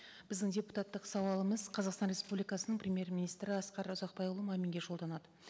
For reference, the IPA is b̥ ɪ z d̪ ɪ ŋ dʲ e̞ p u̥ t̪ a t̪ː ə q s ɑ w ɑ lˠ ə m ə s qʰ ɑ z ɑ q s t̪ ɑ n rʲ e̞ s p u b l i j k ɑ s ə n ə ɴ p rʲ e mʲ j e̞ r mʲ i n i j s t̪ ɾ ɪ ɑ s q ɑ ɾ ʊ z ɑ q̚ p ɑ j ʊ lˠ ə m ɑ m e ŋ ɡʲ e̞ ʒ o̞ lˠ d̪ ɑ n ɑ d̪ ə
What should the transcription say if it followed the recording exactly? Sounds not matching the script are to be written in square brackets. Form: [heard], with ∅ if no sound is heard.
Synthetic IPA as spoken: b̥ ɪ z d̪ ɪ ŋ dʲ e̞ p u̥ t̪ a t̪ː ə q s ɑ w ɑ lˠ ə m ə [z] qʰ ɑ z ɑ q s t̪ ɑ n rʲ e̞ s p u b l i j k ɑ s ə n ə ɴ p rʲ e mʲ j e̞ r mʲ i n i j s t̪ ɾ ɪ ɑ s q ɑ ɾ ʊ z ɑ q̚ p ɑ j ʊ lˠ ə m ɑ m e ŋ ɡʲ e̞ ʒ o̞ lˠ d̪ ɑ n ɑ d̪ ə